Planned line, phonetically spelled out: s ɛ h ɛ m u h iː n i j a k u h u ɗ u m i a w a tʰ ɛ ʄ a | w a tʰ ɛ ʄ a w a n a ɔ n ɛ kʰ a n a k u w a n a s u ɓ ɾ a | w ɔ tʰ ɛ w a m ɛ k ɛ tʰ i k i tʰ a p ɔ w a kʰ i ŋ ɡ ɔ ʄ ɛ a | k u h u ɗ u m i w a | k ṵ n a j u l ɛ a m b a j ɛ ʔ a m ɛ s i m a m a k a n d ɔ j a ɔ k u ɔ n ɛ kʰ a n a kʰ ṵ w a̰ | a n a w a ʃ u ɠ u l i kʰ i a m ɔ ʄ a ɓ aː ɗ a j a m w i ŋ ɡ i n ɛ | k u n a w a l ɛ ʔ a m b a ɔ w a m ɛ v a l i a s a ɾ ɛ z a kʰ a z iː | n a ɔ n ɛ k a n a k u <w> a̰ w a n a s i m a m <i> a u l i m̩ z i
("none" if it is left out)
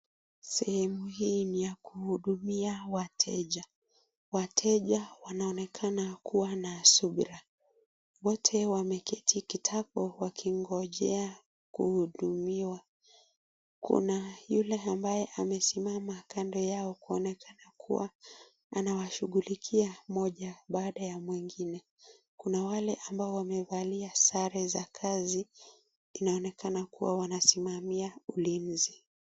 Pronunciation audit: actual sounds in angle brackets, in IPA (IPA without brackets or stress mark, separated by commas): w, i